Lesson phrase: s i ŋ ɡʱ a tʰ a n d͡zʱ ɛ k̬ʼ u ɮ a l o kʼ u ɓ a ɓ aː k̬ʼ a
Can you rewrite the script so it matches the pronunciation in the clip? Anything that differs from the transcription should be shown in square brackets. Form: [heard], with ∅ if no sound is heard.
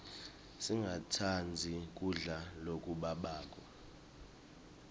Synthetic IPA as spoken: s i ŋ ɡʱ a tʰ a n d͡zʱ [i] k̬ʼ u ɮ a l o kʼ u ɓ a ɓ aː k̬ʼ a